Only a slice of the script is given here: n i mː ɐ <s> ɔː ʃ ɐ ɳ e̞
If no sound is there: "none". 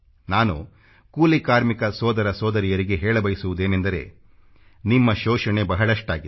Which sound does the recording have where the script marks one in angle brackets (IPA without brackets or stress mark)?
ʃ